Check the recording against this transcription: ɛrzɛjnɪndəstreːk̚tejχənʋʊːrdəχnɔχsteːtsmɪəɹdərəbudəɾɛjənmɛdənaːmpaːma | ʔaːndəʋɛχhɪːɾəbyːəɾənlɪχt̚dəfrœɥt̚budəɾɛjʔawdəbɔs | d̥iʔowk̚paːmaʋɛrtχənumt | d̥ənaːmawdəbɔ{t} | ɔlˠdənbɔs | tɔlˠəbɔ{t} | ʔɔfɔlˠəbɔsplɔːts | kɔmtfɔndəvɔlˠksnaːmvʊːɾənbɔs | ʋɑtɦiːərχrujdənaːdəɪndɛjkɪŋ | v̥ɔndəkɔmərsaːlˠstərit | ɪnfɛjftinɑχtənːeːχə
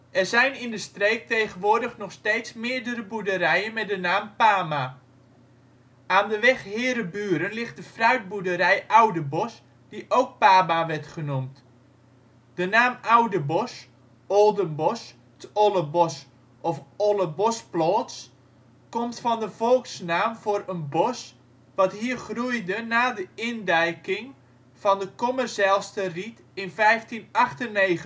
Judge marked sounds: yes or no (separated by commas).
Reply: no, no